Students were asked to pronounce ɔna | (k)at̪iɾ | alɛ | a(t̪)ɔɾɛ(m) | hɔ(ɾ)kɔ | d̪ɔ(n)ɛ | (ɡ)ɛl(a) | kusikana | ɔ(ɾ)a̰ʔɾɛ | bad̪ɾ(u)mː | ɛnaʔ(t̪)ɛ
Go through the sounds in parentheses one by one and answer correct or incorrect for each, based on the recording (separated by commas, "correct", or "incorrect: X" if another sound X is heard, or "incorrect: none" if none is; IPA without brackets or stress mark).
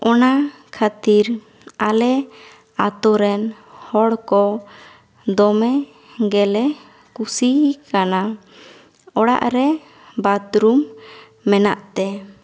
incorrect: kʰ, correct, incorrect: n, incorrect: ɽ, incorrect: m, correct, incorrect: ɛ, incorrect: ɽ, correct, correct